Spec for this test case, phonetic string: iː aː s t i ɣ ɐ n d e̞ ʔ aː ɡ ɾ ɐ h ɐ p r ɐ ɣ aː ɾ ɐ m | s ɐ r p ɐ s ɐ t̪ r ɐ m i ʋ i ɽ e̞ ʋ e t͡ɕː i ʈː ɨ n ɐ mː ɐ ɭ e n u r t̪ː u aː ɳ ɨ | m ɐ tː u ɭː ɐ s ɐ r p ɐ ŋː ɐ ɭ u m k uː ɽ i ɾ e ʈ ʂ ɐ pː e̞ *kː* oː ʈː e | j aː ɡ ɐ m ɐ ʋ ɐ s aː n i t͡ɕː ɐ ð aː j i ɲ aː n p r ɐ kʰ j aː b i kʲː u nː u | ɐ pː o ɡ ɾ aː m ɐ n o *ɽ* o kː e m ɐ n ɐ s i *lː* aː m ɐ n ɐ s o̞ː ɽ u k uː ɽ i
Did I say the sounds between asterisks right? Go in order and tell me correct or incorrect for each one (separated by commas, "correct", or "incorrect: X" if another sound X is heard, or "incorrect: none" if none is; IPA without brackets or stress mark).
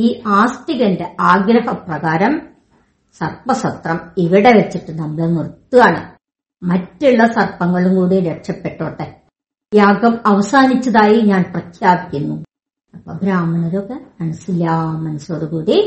incorrect: ʈː, incorrect: ɾ, correct